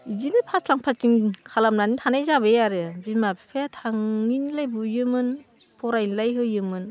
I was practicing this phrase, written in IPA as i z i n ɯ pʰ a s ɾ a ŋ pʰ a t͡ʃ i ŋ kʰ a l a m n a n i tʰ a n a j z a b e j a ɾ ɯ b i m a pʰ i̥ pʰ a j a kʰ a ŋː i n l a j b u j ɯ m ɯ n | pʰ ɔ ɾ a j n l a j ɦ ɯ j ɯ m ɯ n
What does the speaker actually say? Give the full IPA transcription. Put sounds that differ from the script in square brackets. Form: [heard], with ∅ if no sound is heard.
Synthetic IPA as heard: i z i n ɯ pʰ a s [l] a ŋ pʰ a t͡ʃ i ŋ kʰ a l a m n a n i tʰ a n a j z a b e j a ɾ ɯ b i m a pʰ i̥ pʰ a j a [tʰ] a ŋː i n l a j b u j ɯ m ɯ n | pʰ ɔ ɾ a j n l a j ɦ ɯ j ɯ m ɯ n